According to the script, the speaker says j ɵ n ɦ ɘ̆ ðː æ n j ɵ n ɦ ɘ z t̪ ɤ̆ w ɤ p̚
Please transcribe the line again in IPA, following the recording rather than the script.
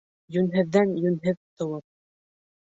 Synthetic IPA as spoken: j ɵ n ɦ ɘ̆ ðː æ n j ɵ n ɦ ɘ ð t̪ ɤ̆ w ɤ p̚